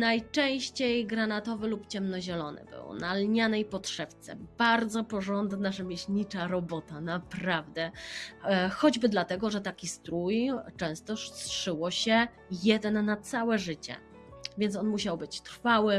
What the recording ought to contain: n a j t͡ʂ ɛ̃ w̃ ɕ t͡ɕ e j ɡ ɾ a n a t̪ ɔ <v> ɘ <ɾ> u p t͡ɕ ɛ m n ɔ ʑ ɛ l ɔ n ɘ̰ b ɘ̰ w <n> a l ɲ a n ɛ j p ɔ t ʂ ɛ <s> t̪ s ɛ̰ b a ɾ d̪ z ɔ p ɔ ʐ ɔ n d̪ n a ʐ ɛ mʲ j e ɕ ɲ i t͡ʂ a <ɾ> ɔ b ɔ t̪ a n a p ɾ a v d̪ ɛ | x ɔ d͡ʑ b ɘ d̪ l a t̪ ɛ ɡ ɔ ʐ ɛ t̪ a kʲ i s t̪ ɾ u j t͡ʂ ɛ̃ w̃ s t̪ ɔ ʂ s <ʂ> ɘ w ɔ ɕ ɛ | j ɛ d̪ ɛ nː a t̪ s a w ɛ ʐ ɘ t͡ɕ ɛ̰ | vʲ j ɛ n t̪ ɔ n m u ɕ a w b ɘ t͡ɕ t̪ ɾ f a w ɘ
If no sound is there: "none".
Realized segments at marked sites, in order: v, l, n, f, ɾ, ʂ

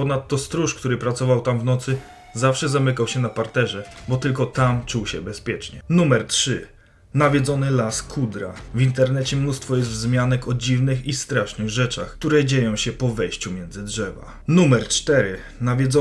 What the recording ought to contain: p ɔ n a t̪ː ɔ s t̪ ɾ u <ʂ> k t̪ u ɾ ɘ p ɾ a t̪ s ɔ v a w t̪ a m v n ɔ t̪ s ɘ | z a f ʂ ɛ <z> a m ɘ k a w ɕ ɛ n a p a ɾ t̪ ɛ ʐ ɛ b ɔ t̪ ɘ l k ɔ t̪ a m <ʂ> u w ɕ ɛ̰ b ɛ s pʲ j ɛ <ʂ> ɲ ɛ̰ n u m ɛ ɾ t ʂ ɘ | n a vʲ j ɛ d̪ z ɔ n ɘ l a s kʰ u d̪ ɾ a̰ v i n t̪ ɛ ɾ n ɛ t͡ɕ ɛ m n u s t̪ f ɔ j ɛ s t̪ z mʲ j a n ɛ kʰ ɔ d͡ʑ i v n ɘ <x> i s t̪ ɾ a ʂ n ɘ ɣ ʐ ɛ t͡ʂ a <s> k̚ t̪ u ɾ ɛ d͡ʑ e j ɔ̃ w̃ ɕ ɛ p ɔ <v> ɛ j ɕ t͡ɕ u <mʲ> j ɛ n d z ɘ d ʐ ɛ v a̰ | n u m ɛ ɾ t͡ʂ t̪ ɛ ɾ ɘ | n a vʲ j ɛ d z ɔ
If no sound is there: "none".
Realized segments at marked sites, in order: ʂ, z, t͡ʂ, t͡ʂ, x, x, v, mʲ

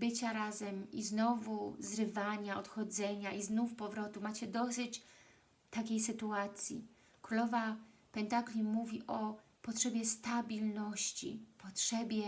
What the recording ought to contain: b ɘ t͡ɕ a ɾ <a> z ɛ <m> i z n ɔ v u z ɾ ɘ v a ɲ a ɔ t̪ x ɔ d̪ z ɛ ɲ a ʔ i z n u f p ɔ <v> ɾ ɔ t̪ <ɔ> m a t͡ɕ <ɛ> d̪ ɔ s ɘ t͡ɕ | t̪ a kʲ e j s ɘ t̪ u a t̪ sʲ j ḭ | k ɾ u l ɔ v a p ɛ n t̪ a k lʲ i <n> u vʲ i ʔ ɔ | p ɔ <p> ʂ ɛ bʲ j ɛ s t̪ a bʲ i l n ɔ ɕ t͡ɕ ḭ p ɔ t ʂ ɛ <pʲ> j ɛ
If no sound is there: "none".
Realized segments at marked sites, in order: a, m, v, u, ɛ, m, t, bʲ

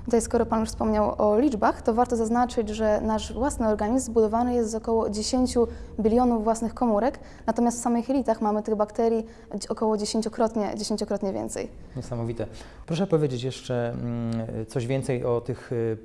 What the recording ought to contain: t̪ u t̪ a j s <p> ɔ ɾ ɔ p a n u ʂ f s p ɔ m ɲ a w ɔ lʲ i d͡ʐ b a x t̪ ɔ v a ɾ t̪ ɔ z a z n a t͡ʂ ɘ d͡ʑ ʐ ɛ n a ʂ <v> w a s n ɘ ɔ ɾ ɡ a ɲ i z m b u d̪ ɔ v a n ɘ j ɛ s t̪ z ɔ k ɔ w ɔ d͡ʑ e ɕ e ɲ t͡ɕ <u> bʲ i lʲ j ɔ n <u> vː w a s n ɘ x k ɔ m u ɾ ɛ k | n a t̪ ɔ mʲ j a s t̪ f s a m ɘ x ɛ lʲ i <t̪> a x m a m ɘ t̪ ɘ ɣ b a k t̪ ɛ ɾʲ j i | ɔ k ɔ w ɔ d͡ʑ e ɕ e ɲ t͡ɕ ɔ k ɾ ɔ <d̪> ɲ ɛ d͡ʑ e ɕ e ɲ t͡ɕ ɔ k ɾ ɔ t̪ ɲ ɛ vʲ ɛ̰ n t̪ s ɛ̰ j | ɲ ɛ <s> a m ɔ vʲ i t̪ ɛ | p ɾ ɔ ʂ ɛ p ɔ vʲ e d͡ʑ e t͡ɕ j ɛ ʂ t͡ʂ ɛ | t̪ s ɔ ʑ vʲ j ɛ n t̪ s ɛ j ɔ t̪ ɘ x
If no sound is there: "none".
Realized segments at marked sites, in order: k, v, u, u, t̪, t̪, s

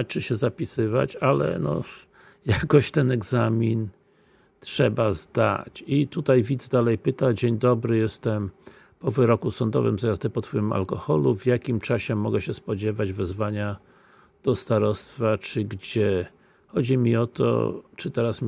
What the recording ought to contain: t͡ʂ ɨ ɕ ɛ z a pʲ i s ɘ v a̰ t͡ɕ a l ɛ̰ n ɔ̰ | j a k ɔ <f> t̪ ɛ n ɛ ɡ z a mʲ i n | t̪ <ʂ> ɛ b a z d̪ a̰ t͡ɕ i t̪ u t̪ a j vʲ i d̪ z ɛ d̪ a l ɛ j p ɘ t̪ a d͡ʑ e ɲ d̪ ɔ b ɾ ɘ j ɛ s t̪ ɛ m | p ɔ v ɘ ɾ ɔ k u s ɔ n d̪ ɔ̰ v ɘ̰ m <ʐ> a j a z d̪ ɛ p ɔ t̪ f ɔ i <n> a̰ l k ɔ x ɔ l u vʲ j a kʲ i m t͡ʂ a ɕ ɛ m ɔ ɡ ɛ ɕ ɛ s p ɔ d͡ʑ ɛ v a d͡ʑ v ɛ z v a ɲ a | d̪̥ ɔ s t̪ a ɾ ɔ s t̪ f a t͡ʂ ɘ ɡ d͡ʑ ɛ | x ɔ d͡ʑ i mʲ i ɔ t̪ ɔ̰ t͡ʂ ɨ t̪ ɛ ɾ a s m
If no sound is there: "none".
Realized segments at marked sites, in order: ɕ, ʂ, z, m

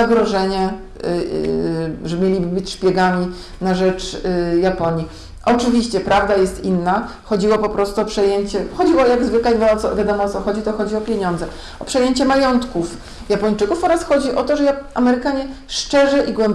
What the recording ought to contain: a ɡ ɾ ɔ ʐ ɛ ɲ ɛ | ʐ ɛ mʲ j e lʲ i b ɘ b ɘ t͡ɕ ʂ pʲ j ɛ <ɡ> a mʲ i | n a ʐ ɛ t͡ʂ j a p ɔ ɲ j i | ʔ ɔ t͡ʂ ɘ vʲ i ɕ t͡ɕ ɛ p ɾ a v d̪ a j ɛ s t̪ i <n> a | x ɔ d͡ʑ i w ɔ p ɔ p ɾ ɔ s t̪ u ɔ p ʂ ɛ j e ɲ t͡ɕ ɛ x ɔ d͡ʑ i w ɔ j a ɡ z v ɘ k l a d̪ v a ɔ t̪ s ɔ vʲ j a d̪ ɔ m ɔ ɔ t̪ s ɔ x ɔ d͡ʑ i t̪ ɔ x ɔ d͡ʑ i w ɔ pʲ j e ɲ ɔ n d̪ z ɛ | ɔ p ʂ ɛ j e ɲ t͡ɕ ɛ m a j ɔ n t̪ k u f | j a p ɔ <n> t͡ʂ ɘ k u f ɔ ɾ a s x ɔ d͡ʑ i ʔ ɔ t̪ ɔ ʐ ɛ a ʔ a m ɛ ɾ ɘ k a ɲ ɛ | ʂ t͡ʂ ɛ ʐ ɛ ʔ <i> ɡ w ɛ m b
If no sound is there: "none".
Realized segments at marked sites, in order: ɡ, nː, ɲ, i

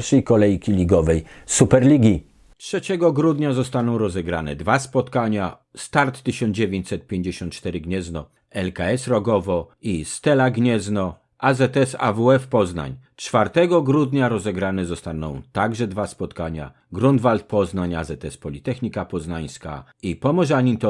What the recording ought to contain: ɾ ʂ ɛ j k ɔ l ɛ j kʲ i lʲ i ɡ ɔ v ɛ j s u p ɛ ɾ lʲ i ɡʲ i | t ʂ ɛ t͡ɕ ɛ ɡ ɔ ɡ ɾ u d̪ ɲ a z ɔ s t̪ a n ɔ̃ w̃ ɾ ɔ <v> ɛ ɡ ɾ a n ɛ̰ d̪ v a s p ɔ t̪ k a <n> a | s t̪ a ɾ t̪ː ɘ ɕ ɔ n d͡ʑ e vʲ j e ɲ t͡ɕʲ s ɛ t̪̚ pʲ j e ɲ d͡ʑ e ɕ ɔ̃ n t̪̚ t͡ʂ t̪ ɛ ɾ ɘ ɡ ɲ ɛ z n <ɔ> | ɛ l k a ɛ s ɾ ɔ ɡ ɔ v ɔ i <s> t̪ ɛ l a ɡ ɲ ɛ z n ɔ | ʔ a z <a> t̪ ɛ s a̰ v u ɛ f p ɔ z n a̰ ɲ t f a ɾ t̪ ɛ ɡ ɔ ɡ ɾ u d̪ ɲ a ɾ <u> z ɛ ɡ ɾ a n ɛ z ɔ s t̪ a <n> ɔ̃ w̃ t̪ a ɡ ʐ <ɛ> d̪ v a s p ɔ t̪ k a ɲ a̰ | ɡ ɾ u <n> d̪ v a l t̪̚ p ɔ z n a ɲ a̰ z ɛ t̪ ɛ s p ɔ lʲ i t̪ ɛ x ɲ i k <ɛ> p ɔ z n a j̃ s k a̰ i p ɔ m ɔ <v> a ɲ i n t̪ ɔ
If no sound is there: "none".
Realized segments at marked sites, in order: z, ɲ, ɔ, s, ɛ, ɔ, n, ɛ, n, a, ʐ

